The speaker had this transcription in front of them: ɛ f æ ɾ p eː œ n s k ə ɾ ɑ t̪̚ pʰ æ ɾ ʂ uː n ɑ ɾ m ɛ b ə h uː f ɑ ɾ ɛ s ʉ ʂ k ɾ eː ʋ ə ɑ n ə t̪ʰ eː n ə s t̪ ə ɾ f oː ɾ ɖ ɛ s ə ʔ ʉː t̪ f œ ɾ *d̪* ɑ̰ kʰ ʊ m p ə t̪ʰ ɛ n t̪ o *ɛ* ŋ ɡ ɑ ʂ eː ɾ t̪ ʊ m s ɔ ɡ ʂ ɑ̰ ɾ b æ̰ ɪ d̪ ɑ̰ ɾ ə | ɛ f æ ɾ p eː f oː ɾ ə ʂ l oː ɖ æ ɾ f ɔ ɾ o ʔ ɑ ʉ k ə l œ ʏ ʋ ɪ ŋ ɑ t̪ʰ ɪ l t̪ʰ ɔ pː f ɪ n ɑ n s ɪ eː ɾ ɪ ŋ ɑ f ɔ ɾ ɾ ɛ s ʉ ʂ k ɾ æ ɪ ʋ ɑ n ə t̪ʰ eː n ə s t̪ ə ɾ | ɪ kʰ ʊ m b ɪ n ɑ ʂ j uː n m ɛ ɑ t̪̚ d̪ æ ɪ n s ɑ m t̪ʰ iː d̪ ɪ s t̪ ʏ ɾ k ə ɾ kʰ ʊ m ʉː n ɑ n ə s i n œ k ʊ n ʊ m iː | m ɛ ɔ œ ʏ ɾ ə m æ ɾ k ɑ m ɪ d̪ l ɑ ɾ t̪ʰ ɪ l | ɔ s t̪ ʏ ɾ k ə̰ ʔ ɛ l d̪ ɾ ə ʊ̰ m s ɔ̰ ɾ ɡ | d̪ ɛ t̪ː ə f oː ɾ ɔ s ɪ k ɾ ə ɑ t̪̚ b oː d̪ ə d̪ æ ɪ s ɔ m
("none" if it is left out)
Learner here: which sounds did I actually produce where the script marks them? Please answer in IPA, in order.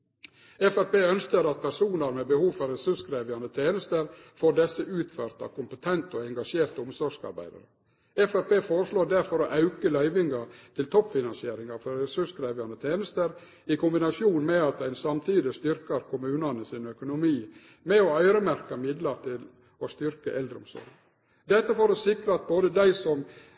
t̪, ɛ

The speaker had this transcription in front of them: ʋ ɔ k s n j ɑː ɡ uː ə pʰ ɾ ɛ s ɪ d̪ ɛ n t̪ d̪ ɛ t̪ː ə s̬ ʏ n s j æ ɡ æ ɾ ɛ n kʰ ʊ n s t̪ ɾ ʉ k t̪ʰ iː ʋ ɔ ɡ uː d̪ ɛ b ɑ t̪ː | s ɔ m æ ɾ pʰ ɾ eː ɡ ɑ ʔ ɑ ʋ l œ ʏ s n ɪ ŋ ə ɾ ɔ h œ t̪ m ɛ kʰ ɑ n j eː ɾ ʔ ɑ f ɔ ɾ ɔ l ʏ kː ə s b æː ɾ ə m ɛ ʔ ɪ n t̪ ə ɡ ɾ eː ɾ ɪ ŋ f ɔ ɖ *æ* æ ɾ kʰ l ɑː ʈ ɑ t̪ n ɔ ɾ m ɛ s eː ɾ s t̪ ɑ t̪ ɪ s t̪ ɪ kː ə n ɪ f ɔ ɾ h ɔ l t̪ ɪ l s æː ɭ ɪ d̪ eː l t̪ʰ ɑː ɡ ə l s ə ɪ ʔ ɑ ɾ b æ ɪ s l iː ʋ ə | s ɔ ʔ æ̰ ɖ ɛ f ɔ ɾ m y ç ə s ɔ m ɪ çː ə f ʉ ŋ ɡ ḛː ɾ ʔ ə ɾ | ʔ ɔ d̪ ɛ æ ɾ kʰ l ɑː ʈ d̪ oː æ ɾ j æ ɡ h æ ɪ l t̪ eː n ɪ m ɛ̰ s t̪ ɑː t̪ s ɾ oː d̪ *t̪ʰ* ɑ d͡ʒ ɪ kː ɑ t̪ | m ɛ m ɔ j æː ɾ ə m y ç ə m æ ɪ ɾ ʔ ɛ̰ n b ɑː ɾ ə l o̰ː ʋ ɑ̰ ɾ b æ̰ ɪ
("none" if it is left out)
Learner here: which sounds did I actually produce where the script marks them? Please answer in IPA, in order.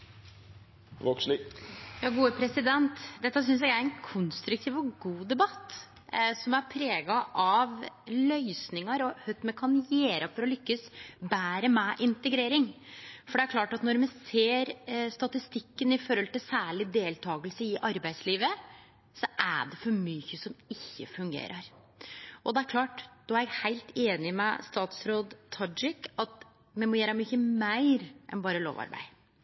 ɛ, t̪ʰ

